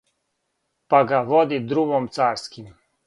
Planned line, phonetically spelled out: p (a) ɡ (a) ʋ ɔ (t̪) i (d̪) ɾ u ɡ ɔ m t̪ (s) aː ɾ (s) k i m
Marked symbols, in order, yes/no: yes, yes, no, yes, yes, yes

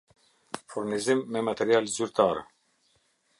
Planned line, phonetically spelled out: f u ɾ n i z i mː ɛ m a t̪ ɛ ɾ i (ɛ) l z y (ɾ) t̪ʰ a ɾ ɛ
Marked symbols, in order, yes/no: no, yes

